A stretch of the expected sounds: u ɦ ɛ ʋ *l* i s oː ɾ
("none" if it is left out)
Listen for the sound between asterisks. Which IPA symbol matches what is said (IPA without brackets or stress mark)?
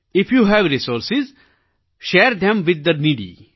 ɾ